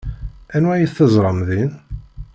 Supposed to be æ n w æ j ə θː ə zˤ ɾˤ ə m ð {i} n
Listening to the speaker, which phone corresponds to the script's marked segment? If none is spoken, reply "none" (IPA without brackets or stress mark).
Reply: i